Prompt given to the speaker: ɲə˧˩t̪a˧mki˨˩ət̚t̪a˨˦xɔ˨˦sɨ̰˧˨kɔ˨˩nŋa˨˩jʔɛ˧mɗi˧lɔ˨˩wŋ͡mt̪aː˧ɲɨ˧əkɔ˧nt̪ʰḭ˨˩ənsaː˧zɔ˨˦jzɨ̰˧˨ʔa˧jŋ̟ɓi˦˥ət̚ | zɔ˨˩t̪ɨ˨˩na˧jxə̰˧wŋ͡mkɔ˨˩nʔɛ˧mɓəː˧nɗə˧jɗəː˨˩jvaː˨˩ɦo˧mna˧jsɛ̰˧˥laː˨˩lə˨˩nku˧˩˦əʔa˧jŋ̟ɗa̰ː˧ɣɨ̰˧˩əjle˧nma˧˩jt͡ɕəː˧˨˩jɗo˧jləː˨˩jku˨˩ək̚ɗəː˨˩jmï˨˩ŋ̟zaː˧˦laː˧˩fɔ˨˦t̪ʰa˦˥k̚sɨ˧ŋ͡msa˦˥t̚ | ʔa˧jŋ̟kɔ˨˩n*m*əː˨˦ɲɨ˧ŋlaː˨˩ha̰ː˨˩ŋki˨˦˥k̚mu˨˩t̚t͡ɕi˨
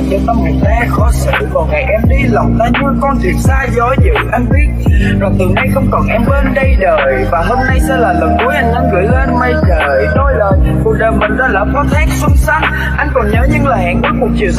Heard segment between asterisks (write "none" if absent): ɲ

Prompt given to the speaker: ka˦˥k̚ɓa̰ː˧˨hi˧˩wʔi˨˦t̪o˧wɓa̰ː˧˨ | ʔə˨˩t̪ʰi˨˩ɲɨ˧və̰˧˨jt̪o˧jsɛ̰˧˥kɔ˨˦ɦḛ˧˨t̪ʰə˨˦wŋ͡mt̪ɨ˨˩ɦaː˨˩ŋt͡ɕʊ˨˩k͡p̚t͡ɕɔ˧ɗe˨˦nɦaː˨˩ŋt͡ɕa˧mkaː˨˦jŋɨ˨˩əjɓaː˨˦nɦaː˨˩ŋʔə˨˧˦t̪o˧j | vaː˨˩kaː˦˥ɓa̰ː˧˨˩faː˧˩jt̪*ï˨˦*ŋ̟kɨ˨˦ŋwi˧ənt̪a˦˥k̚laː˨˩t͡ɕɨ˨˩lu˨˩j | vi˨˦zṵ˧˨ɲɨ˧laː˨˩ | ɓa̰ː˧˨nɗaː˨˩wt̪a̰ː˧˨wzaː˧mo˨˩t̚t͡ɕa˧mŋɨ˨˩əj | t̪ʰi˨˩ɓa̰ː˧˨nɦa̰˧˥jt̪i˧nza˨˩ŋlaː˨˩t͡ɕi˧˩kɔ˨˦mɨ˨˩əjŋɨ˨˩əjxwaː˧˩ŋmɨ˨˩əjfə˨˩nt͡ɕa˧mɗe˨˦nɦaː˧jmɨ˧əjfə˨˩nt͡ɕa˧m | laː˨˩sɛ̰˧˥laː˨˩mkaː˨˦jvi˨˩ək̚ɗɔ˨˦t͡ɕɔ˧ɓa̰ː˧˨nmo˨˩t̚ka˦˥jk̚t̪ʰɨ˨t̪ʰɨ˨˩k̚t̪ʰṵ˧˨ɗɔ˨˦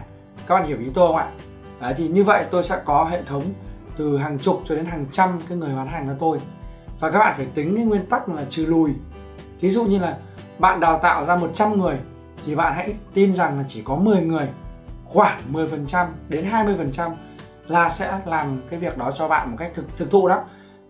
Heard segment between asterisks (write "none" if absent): ï˨˦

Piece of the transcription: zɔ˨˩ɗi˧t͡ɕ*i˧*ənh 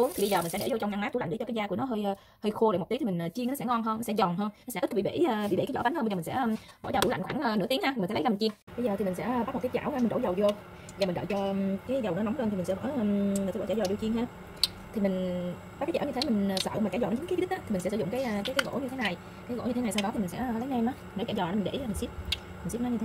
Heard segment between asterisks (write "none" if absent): i˧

